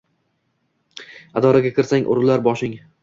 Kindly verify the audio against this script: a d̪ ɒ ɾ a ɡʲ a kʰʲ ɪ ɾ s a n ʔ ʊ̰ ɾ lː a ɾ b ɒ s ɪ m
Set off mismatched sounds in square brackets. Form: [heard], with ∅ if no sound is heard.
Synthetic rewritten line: a d̪ ɒ ɾ a ɡʲ a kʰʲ ɪ ɾ s a [ŋ] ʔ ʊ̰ ɾ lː a ɾ b ɒ [ʃ] ɪ [ŋ]